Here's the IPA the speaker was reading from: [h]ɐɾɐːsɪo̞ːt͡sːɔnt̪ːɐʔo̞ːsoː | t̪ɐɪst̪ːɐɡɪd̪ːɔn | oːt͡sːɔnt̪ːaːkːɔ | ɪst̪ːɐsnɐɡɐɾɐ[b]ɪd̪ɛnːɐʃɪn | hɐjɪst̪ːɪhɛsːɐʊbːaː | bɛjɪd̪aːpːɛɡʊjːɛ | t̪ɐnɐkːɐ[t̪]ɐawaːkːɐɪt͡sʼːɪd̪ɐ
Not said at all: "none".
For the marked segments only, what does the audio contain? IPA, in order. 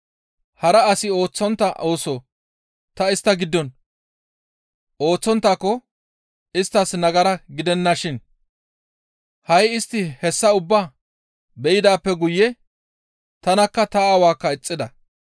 h, ɡ, t̪

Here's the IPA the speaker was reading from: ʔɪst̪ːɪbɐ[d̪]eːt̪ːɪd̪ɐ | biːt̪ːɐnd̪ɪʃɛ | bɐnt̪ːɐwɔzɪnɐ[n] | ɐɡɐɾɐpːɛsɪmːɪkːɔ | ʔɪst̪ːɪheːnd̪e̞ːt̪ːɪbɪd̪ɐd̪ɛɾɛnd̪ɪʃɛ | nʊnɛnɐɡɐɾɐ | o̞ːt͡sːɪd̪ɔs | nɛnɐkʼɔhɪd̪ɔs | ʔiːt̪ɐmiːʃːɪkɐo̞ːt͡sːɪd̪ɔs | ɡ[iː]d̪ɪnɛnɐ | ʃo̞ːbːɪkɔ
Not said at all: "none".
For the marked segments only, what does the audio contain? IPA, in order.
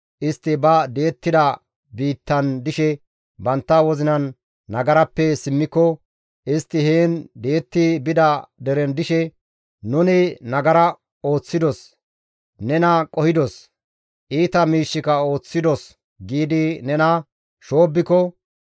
d̪, nː, iː

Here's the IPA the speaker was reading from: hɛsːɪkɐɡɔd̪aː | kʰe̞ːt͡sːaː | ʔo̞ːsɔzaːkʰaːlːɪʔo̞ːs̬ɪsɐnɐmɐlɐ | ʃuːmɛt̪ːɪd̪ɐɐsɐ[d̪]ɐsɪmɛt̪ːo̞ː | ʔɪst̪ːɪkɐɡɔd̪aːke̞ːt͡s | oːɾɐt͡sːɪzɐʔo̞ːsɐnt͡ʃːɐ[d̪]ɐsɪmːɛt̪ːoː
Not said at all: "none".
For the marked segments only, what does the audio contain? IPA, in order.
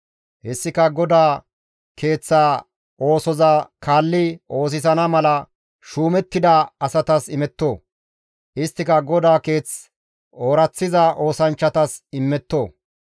t̪, t̪

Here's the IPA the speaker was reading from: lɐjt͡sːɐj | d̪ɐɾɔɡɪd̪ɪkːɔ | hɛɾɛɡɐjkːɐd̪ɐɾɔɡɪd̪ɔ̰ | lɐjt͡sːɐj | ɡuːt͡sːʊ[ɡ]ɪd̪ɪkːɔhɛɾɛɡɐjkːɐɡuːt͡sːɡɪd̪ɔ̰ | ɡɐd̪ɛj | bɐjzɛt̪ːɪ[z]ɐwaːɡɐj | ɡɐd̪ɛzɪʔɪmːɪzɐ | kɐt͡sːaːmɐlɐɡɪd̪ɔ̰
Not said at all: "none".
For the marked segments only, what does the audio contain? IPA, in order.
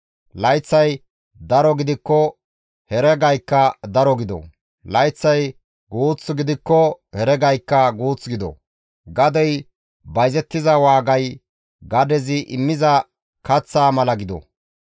ɡ, z

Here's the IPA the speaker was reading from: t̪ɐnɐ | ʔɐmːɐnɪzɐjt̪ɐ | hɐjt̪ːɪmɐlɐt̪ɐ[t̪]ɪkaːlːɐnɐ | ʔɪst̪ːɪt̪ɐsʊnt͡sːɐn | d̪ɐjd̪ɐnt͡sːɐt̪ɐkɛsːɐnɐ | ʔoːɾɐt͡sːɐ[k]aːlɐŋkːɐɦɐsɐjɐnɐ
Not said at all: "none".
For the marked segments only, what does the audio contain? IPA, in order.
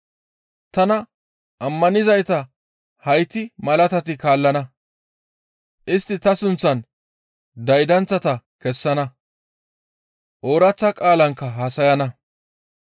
t̪, kʼ

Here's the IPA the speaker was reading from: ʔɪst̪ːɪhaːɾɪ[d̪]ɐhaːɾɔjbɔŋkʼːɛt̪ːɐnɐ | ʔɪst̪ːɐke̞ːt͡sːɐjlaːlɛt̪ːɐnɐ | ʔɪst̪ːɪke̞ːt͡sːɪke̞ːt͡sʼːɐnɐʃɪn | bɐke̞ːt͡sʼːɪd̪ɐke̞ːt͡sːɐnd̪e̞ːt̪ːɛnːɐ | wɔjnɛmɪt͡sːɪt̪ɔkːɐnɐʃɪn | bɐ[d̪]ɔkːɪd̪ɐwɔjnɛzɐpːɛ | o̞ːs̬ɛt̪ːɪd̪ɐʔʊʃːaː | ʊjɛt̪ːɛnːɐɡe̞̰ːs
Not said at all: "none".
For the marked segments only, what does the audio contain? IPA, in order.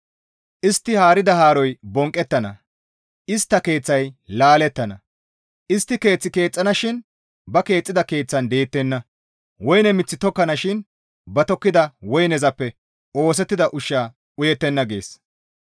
d̪, t̪

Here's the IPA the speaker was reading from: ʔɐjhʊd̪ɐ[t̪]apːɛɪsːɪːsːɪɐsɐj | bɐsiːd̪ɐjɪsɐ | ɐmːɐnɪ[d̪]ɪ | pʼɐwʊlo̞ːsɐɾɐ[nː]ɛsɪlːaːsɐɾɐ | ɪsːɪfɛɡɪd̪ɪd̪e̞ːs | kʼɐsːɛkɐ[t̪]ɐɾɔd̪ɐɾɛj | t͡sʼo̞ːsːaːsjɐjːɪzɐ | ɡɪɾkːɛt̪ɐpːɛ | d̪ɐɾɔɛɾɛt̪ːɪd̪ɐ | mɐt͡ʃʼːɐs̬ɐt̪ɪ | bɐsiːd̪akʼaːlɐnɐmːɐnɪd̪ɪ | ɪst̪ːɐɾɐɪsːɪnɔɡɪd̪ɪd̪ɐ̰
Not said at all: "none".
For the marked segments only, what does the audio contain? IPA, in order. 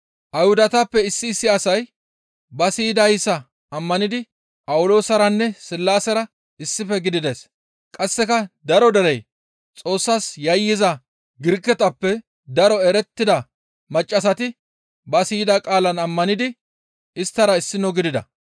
t̪, d̪, nː, d̪

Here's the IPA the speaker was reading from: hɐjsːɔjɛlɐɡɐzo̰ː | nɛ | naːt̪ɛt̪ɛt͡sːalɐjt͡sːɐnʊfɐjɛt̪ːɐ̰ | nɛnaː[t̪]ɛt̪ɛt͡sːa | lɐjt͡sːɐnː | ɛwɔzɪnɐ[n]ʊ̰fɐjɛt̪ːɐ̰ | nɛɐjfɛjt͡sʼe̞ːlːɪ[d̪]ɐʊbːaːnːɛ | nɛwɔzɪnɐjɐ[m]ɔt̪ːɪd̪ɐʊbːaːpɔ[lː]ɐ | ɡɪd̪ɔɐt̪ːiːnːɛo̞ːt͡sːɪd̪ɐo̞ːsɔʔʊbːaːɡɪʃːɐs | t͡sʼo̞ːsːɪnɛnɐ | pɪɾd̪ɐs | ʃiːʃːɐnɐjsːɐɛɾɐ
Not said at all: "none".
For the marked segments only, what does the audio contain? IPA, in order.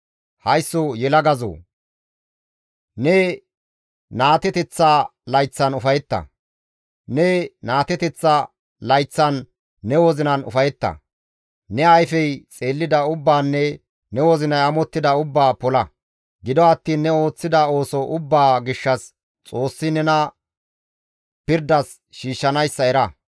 t̪, n, d̪, m, l

